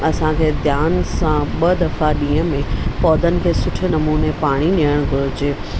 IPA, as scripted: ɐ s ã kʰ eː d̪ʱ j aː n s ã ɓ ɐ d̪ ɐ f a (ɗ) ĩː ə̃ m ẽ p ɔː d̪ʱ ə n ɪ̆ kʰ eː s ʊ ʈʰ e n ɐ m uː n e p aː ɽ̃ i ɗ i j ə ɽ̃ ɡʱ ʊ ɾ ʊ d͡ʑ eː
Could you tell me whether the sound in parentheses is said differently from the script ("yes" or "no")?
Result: no